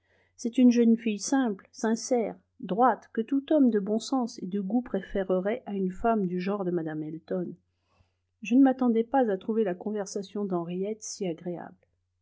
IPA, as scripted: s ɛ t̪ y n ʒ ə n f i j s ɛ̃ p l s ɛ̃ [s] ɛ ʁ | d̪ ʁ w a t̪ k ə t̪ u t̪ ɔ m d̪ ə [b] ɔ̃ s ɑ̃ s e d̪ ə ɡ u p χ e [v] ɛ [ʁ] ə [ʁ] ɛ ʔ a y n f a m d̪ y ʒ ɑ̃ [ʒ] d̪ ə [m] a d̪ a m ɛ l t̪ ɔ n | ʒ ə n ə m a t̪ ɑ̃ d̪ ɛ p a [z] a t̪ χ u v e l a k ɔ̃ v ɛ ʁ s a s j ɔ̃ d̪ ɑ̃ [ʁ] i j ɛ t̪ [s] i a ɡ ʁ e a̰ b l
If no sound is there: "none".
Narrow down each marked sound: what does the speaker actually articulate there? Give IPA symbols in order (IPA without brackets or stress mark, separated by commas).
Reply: s, b, f, ʁ, ʁ, ʁ, m, z, ʁ, s